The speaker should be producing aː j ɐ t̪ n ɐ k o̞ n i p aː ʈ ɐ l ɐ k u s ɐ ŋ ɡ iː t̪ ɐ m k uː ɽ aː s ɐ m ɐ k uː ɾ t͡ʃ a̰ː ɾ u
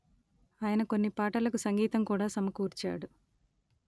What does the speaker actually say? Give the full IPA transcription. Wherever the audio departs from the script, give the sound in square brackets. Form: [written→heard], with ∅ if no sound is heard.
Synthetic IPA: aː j ɐ [t̪→∅] n ɐ k o̞ [n→nː] i p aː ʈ ɐ l ɐ k u s ɐ ŋ ɡ iː t̪ ɐ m k uː ɽ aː s ɐ m ɐ k uː ɾ t͡ʃ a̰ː [ɾ→ɽ] u